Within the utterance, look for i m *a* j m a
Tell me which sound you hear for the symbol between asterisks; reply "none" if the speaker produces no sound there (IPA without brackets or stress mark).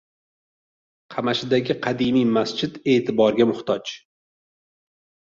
i